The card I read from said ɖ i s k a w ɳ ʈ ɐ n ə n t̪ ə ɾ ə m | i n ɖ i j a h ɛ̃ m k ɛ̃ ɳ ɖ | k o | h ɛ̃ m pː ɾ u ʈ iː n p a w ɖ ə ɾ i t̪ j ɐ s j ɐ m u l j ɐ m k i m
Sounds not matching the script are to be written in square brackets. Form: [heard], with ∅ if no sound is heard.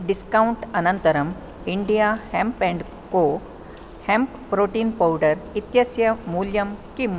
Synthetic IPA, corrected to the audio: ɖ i s k a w ɳ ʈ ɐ n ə n t̪ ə ɾ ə m | i [ɳ] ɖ i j a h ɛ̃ m [p] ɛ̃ ɳ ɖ | k o | h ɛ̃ m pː ɾ [o] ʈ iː n p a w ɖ ə ɾ i t̪ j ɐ s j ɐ m u l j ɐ m k i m